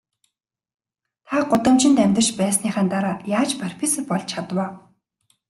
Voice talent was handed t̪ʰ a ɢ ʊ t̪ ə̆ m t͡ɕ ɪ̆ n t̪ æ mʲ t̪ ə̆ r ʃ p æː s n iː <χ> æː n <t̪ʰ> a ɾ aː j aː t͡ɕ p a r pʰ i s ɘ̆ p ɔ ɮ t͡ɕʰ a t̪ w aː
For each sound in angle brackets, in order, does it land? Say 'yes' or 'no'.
yes, no

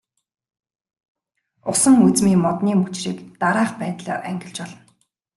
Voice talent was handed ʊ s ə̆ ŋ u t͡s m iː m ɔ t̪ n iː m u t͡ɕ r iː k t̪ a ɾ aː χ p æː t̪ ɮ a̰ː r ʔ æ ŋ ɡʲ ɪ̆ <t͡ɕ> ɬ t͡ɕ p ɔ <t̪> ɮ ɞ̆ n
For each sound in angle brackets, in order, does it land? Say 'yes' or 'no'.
no, no

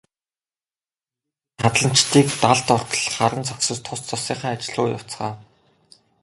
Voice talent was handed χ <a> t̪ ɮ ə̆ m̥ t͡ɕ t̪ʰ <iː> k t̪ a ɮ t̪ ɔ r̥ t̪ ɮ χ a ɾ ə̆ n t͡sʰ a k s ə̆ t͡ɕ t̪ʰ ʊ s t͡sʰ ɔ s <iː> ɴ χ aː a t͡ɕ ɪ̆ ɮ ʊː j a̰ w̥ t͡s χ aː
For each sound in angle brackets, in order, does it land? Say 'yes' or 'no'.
yes, yes, yes

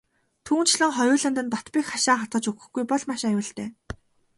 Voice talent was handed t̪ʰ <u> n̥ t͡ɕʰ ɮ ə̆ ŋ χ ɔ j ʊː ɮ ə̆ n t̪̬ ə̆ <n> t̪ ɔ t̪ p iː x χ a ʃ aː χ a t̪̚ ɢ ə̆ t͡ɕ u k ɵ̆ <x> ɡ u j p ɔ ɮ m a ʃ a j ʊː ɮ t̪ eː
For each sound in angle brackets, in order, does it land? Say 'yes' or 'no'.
no, yes, yes

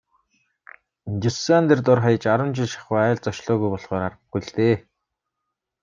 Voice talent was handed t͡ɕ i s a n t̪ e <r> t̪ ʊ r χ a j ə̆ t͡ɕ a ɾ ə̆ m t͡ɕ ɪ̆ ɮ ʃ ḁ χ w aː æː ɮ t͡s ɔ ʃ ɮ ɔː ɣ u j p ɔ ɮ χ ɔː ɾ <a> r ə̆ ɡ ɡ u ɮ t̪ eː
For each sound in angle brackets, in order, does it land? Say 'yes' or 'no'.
yes, yes

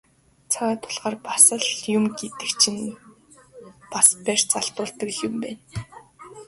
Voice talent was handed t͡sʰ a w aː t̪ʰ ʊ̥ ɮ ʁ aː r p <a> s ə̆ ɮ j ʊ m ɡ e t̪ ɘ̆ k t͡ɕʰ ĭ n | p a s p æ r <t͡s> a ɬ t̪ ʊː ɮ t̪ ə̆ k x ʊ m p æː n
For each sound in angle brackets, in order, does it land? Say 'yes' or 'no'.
yes, yes

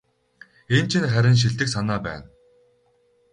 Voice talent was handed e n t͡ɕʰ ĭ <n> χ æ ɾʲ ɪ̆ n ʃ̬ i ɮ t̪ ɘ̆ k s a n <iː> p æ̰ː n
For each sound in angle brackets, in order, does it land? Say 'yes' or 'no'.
yes, no

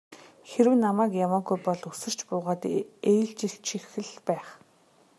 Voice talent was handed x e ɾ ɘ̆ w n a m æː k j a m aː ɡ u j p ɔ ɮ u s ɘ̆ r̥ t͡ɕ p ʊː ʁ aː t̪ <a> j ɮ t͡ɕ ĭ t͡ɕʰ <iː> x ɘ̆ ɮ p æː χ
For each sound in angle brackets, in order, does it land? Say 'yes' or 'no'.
no, no

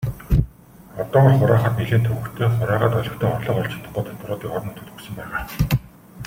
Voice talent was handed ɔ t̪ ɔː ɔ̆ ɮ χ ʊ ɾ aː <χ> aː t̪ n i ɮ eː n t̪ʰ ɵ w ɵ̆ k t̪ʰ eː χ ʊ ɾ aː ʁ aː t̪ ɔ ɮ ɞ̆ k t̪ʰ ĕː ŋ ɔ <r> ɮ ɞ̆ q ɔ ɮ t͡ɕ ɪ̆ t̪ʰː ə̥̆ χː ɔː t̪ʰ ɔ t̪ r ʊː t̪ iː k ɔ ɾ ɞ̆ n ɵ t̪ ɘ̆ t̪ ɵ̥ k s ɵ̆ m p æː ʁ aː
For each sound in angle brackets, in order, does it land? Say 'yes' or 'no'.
yes, yes

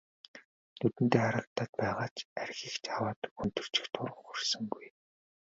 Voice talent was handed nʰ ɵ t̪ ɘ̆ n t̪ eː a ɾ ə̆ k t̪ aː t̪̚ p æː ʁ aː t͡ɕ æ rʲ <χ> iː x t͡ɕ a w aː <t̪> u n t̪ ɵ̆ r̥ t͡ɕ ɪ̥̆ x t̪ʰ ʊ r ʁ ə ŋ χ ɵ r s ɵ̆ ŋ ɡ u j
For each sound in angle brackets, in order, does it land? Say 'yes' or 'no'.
no, yes

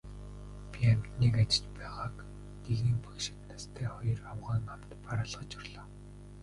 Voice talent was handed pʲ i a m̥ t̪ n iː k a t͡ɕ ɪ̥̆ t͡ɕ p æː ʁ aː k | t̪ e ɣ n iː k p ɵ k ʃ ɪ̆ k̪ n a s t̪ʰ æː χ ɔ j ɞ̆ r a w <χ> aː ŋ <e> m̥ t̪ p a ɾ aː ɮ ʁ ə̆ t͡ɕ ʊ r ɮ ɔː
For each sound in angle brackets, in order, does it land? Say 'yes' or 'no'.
no, no

